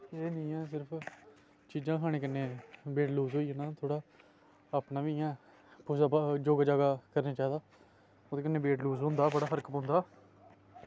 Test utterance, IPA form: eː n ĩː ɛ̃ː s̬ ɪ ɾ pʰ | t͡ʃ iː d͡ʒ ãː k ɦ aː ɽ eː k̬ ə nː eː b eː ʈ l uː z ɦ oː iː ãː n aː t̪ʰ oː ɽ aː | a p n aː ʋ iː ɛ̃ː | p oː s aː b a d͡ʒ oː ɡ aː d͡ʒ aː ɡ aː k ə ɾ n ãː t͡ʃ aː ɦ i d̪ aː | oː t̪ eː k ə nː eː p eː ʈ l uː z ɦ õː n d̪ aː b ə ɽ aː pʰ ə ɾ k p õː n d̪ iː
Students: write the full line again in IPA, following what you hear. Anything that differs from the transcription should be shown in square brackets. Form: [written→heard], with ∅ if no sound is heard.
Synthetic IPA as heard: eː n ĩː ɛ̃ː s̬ ɪ ɾ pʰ | t͡ʃ iː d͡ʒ ãː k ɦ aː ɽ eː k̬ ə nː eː b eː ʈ l uː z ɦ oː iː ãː n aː t̪ʰ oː ɽ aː | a p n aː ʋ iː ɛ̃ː | p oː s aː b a d͡ʒ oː ɡ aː d͡ʒ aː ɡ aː k ə ɾ n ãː t͡ʃ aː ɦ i d̪ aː | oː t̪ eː k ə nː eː [p→b] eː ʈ l uː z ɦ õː n d̪ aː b ə ɽ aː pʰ ə ɾ k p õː n d̪ [iː→aː]